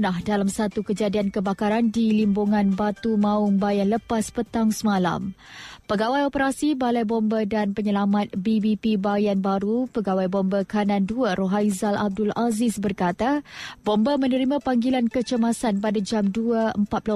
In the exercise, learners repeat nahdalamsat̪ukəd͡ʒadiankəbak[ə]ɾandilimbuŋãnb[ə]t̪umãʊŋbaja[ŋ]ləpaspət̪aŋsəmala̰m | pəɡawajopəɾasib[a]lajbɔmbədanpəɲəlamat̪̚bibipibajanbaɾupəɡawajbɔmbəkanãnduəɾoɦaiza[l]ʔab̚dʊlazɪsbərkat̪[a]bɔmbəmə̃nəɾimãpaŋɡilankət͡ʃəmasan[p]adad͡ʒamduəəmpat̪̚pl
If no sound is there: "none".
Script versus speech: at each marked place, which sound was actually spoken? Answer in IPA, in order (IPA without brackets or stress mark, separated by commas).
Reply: a, a, n, a, l, a, p